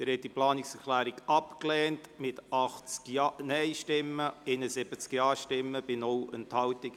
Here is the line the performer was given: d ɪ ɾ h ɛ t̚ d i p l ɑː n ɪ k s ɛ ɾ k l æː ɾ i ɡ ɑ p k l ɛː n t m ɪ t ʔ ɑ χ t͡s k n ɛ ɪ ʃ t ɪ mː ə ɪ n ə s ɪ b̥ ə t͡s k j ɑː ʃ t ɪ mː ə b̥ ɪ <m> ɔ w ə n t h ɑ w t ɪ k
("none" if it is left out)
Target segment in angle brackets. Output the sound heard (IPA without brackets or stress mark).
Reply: n